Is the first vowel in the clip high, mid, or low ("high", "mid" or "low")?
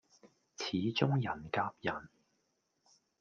high